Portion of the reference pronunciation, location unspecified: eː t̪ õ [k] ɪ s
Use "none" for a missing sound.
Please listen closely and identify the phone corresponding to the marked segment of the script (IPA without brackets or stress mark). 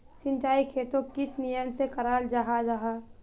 k